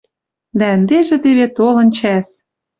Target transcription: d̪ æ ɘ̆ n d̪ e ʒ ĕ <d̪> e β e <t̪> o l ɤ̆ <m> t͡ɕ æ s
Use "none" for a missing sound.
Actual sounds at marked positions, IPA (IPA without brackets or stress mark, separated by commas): t̪, t̪, n